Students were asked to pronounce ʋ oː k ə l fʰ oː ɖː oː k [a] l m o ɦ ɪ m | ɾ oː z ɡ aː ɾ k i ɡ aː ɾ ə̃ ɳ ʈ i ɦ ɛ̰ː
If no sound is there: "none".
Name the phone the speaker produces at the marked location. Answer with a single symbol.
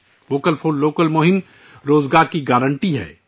ə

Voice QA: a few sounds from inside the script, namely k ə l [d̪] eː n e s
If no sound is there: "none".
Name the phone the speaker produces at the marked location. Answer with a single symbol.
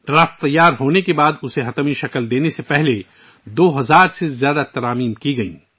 d̪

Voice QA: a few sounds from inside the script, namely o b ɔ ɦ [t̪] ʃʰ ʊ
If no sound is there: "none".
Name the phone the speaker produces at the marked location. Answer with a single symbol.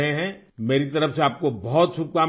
t̪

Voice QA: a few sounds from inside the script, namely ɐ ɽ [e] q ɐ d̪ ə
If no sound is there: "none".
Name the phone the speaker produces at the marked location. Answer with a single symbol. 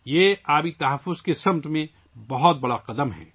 a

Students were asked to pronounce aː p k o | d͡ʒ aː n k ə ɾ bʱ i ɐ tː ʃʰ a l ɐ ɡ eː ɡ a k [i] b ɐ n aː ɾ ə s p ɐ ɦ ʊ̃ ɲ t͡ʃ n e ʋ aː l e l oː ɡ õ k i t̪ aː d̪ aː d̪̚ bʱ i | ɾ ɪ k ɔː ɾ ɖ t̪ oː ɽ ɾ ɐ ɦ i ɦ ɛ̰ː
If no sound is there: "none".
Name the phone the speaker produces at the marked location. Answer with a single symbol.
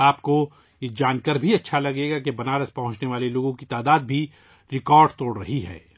e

